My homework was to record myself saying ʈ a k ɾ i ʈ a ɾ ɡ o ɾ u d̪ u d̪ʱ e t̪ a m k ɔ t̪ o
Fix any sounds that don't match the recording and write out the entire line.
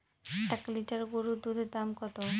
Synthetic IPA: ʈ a k l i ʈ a ɾ ɡ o ɾ u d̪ u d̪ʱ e d̪ a m k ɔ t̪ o